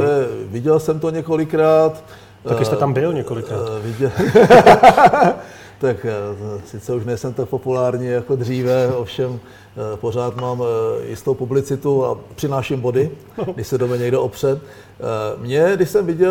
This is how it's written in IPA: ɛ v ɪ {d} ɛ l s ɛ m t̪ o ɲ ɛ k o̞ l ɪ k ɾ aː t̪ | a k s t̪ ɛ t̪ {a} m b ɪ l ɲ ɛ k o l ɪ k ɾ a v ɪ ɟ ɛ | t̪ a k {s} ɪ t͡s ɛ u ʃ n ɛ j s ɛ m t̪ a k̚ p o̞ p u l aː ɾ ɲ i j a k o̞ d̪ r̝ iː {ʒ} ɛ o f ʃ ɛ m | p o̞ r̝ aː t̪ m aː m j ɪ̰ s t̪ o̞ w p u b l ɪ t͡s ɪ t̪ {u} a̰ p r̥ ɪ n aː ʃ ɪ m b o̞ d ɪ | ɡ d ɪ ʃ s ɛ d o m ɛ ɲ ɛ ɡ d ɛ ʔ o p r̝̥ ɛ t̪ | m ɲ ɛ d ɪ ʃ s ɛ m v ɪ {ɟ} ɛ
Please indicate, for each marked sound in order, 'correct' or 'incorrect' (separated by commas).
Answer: incorrect, correct, correct, incorrect, correct, correct